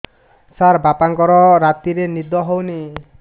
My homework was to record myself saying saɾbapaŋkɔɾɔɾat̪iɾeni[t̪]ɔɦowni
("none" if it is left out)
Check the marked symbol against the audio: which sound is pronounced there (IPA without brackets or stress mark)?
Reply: d̪